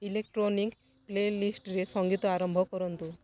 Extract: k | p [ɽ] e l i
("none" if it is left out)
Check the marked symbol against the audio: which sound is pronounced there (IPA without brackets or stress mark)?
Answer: l